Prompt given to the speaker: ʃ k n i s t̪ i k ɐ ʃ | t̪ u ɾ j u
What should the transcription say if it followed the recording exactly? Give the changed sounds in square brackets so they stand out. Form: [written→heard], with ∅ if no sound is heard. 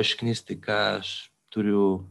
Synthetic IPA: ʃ k n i s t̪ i k [ɐ→a] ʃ | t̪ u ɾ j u

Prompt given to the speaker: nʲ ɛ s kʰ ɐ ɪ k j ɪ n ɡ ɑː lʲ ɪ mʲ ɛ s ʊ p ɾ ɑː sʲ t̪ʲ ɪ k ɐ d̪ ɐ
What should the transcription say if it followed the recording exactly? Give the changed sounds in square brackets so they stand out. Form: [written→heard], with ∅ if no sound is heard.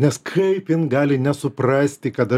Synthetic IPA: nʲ ɛ s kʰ ɐ ɪ [k→p] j ɪ n ɡ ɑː lʲ ɪ [mʲ→nʲ] ɛ s ʊ p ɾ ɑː sʲ t̪ʲ ɪ k ɐ [d̪→t̪] ɐ

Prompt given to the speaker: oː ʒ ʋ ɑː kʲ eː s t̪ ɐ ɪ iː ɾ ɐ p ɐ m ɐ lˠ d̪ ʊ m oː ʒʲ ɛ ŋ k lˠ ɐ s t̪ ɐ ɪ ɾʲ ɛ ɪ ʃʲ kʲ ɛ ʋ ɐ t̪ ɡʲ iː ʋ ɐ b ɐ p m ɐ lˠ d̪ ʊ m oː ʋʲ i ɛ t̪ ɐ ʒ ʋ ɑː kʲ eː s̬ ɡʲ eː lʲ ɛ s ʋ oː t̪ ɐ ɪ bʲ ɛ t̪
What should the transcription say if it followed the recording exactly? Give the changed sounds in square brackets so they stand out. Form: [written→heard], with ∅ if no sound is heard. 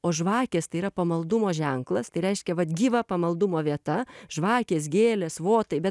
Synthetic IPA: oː ʒ ʋ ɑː kʲ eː s t̪ ɐ ɪ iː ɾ ɐ p ɐ m ɐ lˠ d̪ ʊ m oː ʒʲ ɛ ŋ k lˠ ɐ s t̪ ɐ ɪ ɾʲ ɛ ɪ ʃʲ kʲ ɛ ʋ ɐ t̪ ɡʲ iː ʋ ɐ [b→p] ɐ [p→∅] m ɐ lˠ d̪ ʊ m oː ʋʲ i ɛ t̪ ɐ ʒ ʋ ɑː kʲ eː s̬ ɡʲ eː lʲ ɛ s ʋ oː t̪ ɐ ɪ bʲ ɛ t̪

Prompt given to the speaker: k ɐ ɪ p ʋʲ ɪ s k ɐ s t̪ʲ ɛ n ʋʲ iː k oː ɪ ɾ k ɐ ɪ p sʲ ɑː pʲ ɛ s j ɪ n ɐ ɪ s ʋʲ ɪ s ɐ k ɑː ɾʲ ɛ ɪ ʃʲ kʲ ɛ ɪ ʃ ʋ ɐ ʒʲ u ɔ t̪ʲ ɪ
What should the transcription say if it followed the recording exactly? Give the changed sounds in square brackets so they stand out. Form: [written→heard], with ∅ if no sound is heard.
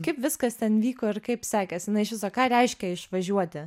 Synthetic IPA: k ɐ ɪ p ʋʲ ɪ s k ɐ s t̪ʲ ɛ n ʋʲ iː k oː ɪ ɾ k ɐ ɪ p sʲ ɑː [pʲ→kʲ] ɛ s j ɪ n ɐ ɪ [s→ʃ] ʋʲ ɪ s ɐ k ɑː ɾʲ ɛ ɪ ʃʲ kʲ ɛ ɪ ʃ ʋ ɐ ʒʲ u ɔ t̪ʲ ɪ

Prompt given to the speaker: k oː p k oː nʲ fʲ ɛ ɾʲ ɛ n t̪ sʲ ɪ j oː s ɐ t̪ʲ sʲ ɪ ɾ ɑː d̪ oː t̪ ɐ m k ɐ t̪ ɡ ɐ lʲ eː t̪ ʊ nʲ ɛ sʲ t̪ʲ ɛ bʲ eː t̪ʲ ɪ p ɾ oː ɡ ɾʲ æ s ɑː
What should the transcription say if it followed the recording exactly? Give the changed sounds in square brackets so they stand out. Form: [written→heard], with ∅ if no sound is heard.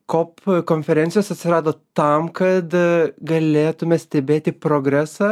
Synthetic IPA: k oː p k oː nʲ fʲ ɛ ɾʲ ɛ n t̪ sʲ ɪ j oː s ɐ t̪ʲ sʲ ɪ ɾ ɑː d̪ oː t̪ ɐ m k ɐ t̪ ɡ ɐ lʲ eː t̪ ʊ [nʲ→mʲ] ɛ sʲ t̪ʲ ɛ bʲ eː t̪ʲ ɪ p ɾ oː ɡ ɾʲ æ s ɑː

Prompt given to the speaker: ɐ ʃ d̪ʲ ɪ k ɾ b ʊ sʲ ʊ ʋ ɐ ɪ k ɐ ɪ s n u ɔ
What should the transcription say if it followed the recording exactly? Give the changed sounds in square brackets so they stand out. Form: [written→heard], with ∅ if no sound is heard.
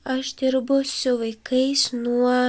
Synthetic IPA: ɐ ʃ d̪ʲ ɪ [k→∅] ɾ b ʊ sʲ ʊ ʋ ɐ ɪ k ɐ ɪ s n u ɔ

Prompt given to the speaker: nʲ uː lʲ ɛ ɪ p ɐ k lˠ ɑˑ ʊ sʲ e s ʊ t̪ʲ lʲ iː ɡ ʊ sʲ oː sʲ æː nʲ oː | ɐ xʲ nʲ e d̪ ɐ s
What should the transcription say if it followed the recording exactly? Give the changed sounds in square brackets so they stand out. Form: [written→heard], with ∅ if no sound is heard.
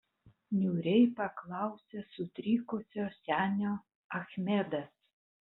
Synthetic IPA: nʲ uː [lʲ→ɾʲ] ɛ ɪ p ɐ k lˠ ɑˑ ʊ sʲ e s ʊ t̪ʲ [lʲ→ɾʲ] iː [ɡ→k] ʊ sʲ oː sʲ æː nʲ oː | ɐ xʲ [nʲ→mʲ] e d̪ ɐ s

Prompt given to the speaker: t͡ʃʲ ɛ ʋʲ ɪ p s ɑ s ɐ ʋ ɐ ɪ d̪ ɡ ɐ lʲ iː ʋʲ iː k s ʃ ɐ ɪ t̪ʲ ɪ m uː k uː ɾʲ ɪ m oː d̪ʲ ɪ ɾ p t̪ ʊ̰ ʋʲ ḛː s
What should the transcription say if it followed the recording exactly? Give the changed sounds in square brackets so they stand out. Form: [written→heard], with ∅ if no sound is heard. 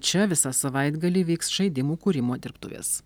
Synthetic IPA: t͡ʃʲ ɛ ʋʲ ɪ [p→∅] s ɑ s ɐ ʋ ɐ ɪ d̪ ɡ ɐ lʲ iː ʋʲ iː k s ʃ ɐ ɪ [t̪ʲ→d̪ʲ] ɪ m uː k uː ɾʲ ɪ m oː d̪ʲ ɪ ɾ p t̪ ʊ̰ ʋʲ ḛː s

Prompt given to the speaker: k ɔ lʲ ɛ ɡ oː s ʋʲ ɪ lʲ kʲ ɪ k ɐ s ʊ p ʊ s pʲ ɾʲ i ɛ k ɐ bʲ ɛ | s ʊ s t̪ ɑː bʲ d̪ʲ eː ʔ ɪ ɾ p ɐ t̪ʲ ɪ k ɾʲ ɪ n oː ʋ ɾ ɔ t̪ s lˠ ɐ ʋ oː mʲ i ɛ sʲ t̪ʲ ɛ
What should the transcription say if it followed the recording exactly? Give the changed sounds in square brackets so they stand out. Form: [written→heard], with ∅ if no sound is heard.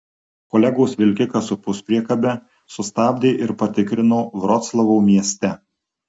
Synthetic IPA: k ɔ lʲ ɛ ɡ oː s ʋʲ ɪ lʲ kʲ ɪ k ɐ s ʊ p ʊ s pʲ ɾʲ i ɛ k ɐ bʲ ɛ | s ʊ s t̪ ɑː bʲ d̪ʲ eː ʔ ɪ ɾ p ɐ t̪ʲ ɪ k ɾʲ ɪ n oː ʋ ɾ ɔ t̪ s lˠ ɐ ʋ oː mʲ i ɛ sʲ t̪ʲ ɛ

